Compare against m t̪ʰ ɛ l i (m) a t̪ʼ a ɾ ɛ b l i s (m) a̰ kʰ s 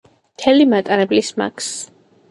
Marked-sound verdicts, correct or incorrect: correct, correct

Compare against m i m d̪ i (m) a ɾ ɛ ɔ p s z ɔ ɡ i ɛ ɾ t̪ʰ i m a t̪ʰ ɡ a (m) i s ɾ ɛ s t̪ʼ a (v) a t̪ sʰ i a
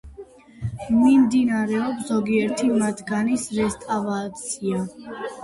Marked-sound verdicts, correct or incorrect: incorrect, incorrect, correct

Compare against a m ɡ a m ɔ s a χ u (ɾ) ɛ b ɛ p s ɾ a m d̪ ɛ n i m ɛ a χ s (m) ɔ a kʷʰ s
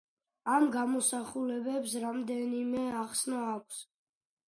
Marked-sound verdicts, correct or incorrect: incorrect, incorrect

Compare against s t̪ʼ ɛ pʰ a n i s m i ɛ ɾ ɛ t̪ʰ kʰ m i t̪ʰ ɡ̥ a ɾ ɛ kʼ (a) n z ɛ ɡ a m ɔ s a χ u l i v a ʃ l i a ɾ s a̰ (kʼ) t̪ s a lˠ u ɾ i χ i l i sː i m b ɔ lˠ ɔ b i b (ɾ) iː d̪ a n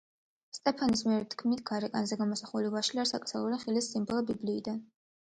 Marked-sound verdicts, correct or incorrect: correct, correct, incorrect

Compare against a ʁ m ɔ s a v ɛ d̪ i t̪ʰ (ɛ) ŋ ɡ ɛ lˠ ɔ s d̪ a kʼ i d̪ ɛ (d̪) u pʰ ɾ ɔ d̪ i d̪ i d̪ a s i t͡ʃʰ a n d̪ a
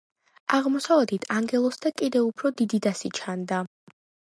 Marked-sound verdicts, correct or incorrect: incorrect, incorrect

